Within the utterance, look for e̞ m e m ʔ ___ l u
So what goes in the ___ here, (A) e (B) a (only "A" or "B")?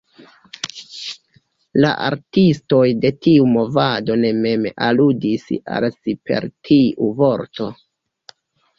B